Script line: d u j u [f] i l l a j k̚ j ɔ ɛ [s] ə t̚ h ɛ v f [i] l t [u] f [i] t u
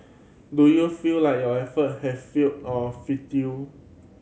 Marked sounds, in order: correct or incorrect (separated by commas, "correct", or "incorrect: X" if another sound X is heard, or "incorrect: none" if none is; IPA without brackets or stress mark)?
correct, incorrect: f, correct, incorrect: ɔ, correct